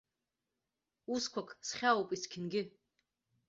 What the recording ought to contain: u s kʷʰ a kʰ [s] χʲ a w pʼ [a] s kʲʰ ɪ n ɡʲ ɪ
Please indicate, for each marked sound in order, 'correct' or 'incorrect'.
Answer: correct, incorrect

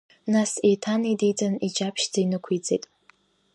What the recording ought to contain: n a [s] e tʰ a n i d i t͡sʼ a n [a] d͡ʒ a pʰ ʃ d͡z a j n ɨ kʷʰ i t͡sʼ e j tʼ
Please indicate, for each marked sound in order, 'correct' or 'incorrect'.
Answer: correct, incorrect

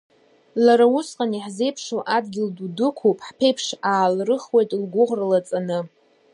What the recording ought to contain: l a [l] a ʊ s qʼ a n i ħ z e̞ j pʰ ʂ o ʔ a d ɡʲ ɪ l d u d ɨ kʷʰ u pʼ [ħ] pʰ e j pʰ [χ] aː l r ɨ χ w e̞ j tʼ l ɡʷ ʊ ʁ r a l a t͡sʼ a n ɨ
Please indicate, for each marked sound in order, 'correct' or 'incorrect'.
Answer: incorrect, correct, incorrect

